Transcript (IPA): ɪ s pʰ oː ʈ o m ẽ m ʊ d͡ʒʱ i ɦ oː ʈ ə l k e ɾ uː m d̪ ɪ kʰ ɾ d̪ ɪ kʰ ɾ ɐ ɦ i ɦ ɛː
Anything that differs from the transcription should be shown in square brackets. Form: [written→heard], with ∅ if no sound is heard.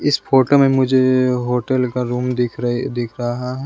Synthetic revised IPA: ɪ s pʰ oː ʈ o m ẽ m ʊ d͡ʒʱ [i→e] ɦ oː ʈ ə l k [e→a] ɾ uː m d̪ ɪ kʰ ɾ d̪ ɪ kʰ ɾ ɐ ɦ [i→a] ɦ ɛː